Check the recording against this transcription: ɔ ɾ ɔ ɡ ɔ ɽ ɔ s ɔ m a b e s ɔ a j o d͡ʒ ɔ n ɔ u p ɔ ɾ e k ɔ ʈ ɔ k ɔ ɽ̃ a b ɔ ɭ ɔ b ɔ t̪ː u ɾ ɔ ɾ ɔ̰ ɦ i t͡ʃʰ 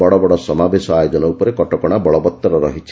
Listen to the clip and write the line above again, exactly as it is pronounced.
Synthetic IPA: ɔ ɽ ɔ b ɔ ɽ ɔ s ɔ m a b e s ɔ a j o d͡ʒ ɔ n ɔ u p ɔ ɾ e k ɔ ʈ ɔ k ɔ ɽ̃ a b ɔ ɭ ɔ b ɔ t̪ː ɔ ɾ ɔ ɾ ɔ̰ ɦ i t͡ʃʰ